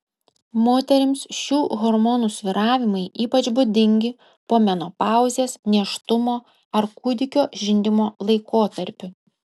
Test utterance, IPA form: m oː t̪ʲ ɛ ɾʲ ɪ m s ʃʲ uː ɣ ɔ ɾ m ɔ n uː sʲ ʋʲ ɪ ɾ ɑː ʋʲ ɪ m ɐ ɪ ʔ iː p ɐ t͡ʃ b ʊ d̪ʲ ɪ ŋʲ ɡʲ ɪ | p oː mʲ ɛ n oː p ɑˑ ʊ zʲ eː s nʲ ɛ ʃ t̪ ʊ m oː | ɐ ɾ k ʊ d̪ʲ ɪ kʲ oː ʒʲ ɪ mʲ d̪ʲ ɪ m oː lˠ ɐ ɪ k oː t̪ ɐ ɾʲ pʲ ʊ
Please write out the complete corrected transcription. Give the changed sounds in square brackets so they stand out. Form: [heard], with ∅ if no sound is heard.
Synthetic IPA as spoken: m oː t̪ʲ ɛ ɾʲ ɪ m s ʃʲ uː ɣ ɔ ɾ m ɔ n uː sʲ ʋʲ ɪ ɾ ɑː ʋʲ ɪ m ɐ ɪ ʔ iː p ɐ t͡ʃ b ʊ d̪ʲ ɪ ŋʲ ɡʲ ɪ | p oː mʲ ɛ n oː p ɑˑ ʊ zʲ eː s nʲ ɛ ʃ t̪ ʊ m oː | ɐ ɾ k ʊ d̪ʲ ɪ kʲ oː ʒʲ ɪ [nʲ] d̪ʲ ɪ m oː lˠ ɐ ɪ k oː t̪ ɐ ɾʲ pʲ ʊ